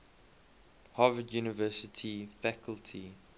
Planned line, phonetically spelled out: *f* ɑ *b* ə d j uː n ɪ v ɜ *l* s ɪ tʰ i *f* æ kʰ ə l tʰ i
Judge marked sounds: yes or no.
no, no, no, yes

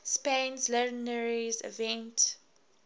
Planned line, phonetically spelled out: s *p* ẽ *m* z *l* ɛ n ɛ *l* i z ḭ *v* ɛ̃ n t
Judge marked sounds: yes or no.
yes, no, yes, no, yes

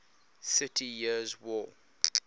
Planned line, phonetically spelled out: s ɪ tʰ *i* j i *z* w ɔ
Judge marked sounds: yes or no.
yes, yes

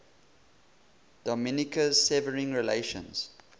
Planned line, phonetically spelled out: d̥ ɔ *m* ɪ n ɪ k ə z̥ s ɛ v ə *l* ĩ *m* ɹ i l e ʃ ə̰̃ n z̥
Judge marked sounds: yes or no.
yes, no, no

